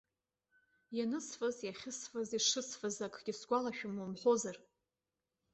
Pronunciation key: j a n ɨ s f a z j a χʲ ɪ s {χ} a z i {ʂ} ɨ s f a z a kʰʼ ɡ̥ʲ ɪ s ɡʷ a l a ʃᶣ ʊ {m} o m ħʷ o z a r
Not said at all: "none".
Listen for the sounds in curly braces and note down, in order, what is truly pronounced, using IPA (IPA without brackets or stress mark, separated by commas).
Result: f, ʂ, m